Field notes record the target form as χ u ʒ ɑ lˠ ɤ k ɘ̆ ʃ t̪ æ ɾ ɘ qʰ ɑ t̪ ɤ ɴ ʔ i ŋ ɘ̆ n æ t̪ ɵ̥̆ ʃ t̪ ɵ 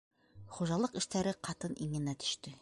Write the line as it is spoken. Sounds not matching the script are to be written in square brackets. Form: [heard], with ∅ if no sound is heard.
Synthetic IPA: χ u ʒ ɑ lˠ ɤ [q] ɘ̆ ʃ t̪ æ ɾ ɘ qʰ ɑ t̪ ɤ [n] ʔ i ŋ ɘ̆ n æ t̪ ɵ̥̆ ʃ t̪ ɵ